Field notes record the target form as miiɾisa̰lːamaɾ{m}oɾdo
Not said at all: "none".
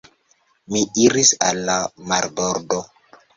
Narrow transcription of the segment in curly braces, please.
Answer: b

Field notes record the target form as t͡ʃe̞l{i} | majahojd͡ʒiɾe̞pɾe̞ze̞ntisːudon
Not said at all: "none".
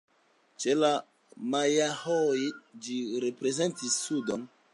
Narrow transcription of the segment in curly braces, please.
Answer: a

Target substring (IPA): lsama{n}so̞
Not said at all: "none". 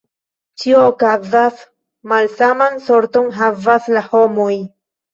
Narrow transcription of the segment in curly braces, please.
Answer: n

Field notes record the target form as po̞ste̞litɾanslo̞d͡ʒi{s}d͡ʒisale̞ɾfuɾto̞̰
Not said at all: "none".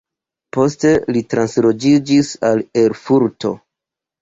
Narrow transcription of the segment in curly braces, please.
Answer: none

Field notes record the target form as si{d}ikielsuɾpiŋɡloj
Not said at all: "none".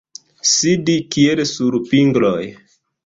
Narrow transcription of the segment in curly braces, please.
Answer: d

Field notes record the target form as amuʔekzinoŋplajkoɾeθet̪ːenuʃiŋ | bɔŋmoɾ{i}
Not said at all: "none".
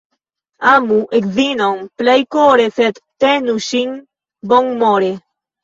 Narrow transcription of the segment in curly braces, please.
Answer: e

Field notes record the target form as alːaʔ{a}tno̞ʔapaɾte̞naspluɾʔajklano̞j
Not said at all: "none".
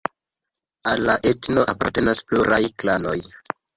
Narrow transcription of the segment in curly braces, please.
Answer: e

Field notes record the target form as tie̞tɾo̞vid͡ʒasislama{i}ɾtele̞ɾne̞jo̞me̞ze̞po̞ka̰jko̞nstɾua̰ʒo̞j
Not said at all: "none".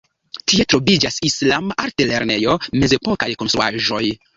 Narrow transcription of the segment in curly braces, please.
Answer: a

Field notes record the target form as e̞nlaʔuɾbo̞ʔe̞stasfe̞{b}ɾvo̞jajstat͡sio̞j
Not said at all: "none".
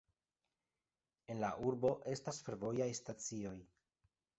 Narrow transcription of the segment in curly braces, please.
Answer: none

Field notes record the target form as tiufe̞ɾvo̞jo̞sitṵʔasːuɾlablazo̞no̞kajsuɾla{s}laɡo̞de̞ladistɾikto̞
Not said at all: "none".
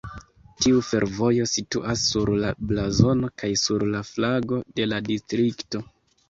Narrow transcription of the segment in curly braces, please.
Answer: f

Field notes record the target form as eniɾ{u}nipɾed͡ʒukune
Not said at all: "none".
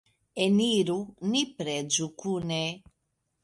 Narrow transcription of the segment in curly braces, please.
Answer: u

